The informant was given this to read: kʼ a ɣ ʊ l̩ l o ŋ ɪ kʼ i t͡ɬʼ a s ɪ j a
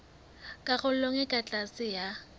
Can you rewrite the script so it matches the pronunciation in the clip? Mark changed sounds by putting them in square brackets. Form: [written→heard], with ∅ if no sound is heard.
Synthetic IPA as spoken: kʼ a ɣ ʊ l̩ l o ŋ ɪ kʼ [i→a] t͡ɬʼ a s ɪ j a